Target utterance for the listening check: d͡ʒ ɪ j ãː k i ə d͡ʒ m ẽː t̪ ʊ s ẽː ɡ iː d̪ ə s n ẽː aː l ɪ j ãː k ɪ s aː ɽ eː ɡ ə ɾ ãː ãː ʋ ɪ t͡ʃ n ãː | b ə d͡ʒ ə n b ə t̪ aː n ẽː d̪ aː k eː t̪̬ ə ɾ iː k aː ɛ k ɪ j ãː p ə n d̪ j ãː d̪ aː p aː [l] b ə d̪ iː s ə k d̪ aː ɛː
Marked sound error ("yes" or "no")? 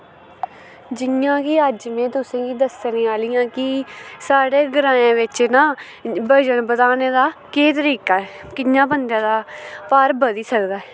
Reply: yes